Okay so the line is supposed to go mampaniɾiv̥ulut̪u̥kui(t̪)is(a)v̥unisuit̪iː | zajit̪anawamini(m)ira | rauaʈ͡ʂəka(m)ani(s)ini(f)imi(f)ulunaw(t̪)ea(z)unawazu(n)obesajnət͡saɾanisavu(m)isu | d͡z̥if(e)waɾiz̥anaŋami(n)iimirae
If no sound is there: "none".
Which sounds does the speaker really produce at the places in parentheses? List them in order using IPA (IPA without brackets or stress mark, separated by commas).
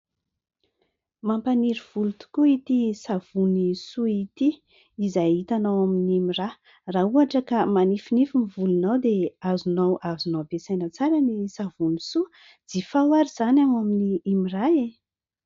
t̪, a, m, m, f, f, v, d̪, z, n, n, a, n